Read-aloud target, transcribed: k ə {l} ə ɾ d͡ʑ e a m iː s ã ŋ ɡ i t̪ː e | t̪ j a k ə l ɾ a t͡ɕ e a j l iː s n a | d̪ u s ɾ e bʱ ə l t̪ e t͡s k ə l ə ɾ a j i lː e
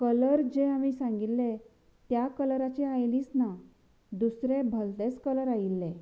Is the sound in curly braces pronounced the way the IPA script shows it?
yes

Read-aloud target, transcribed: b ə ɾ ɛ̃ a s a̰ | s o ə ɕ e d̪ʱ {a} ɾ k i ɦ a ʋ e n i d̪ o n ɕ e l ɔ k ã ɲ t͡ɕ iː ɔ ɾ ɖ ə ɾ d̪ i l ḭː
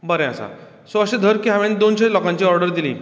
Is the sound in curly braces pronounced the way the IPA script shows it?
no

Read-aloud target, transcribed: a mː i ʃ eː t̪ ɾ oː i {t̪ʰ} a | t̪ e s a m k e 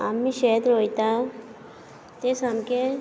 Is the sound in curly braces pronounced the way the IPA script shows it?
no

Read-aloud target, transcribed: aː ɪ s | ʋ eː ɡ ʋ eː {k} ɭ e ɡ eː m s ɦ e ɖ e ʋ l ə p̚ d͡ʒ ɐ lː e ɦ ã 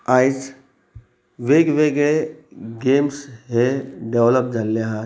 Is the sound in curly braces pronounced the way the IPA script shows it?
no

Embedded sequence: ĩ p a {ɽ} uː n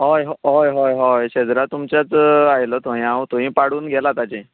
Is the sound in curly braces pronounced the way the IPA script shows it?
yes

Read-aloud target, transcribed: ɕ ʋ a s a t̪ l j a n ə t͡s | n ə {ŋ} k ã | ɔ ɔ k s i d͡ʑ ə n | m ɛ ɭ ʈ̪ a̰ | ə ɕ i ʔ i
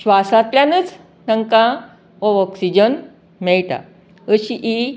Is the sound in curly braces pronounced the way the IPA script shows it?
yes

